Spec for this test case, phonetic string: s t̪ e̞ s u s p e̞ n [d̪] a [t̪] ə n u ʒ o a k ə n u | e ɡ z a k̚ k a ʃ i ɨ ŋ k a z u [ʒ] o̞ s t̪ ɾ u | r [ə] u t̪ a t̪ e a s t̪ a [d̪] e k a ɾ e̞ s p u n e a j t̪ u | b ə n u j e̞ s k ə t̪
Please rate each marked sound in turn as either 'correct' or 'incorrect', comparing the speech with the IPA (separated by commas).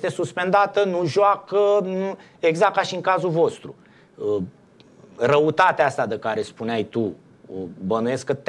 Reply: correct, correct, incorrect, correct, correct